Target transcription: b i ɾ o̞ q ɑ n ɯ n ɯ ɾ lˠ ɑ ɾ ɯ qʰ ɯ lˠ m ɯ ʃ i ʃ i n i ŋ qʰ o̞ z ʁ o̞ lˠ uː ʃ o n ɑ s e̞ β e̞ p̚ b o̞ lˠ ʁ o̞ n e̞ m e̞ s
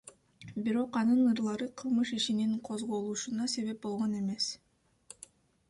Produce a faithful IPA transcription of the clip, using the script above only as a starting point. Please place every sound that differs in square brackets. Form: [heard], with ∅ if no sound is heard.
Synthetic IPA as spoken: b i ɾ o̞ q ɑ n ɯ n ɯ ɾ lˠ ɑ ɾ ɯ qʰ ɯ lˠ m ɯ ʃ i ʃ i n i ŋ qʰ o̞ z ʁ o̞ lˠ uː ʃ [u] n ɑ s e̞ β e̞ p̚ b o̞ lˠ ʁ o̞ n e̞ m e̞ s